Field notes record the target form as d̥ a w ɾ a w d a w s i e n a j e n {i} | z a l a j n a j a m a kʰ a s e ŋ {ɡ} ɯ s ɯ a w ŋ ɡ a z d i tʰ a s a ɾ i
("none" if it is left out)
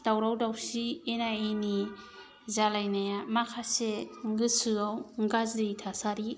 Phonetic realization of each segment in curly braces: i, ɡ

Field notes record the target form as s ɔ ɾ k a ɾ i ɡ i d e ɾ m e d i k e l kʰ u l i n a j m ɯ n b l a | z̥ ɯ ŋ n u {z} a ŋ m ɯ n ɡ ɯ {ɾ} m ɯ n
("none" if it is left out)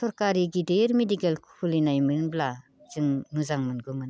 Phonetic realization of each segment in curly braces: z, none

